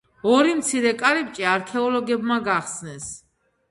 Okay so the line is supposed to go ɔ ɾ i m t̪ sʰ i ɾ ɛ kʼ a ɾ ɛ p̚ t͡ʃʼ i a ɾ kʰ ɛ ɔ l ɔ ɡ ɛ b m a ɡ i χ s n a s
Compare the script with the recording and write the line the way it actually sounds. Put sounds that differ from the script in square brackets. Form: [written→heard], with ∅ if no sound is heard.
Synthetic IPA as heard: ɔ ɾ i m t̪ sʰ i ɾ ɛ kʼ a ɾ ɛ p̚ t͡ʃʼ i a ɾ kʰ ɛ ɔ l ɔ ɡ ɛ b m a ɡ [i→a] χ s n [a→ɛ] s